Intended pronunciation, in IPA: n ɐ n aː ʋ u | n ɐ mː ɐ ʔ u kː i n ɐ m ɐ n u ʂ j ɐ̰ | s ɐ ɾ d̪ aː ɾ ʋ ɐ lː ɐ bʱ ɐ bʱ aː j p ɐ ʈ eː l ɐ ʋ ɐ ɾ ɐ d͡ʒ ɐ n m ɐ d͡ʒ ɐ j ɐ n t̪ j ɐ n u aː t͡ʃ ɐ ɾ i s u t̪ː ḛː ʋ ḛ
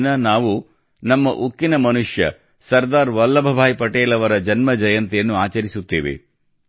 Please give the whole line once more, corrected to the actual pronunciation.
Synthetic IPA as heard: n ɐ n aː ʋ u | n ɐ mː ɐ ʔ u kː i n ɐ m ɐ n u ʂ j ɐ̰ | s ɐ ɾ d̪ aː ɾ ʋ ɐ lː ɐ bʱ ɐ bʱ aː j p ɐ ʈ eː l ɐ ʋ ɐ ɾ ɐ d͡ʒ ɐ n m ɐ d͡ʒ ɐ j ɐ n t̪ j ɐ nː u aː t͡ʃ ɐ ɾ i s u t̪ː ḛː ʋ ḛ